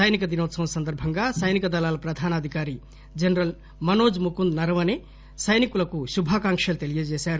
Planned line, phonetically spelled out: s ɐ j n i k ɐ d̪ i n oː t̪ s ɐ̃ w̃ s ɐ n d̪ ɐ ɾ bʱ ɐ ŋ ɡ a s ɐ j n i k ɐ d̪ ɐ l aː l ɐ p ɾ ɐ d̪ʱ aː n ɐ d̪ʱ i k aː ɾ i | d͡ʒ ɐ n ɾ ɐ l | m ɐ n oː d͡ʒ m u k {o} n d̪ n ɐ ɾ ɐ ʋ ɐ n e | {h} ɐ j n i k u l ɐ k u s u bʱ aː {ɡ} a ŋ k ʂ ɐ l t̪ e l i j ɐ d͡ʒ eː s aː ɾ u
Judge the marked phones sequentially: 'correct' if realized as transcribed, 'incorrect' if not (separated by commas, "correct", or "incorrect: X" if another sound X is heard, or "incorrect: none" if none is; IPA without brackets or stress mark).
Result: incorrect: u, incorrect: s, incorrect: k